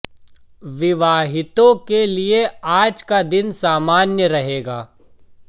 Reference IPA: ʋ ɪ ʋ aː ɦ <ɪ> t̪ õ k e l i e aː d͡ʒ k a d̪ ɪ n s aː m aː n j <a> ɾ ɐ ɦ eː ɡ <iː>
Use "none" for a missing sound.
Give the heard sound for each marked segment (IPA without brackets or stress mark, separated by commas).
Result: ɪ, ə, aː